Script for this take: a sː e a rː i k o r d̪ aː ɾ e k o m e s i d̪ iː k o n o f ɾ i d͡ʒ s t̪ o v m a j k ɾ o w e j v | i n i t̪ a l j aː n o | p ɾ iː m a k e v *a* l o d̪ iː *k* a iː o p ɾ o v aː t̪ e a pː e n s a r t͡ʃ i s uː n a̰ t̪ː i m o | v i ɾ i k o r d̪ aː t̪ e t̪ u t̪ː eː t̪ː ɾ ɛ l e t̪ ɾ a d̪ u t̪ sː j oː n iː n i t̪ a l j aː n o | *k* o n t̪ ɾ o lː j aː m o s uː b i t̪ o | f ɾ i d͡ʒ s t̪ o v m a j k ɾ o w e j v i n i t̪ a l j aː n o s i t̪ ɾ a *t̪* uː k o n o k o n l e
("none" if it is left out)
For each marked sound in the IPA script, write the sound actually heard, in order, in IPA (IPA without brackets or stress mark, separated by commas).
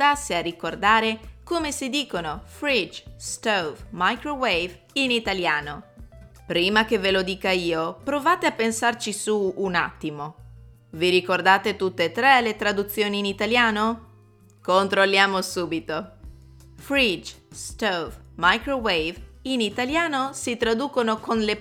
e, k, k, d̪